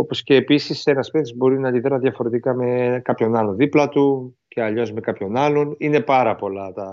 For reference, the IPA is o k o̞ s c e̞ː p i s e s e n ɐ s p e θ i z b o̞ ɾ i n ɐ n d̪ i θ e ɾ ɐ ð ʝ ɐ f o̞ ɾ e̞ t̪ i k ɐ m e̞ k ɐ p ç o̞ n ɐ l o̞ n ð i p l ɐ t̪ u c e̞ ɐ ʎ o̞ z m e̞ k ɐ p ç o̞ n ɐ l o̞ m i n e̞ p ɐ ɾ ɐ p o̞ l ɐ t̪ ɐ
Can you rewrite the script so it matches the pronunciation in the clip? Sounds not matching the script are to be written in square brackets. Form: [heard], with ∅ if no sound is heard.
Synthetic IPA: o [p] o̞ s c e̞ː p i s [i] s e n ɐ s p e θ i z b o̞ ɾ i n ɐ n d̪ i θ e ɾ ɐ ð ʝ ɐ f o̞ ɾ e̞ t̪ i k ɐ m e̞ k ɐ p ç o̞ n ɐ l o̞ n ð i p l ɐ t̪ u c e̞ ɐ ʎ o̞ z m e̞ k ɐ p ç o̞ n ɐ l o̞ [n] i n e̞ p ɐ ɾ ɐ p o̞ l ɐ t̪ ɐ